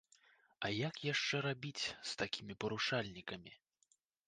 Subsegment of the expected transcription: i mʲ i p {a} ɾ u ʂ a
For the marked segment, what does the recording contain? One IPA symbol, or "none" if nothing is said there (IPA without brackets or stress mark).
ɐ